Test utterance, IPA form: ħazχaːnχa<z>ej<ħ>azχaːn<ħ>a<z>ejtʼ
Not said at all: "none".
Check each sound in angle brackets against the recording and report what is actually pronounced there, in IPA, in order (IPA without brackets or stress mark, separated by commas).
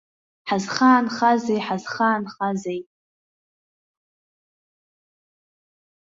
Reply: z, ħ, χ, z